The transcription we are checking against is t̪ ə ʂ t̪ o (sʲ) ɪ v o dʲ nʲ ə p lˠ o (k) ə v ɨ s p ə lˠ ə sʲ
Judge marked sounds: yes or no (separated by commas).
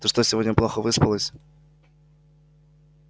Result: yes, no